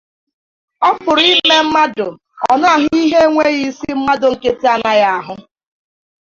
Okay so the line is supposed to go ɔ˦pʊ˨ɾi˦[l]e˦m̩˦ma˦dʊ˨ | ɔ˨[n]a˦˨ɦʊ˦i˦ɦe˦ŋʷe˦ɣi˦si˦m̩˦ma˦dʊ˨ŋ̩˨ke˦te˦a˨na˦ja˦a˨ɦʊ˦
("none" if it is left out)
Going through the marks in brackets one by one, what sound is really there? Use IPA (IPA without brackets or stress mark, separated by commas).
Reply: l, n